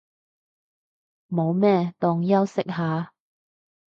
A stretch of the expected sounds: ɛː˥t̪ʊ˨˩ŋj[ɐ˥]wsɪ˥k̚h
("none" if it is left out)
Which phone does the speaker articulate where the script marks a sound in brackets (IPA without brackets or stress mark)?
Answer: ɐ˥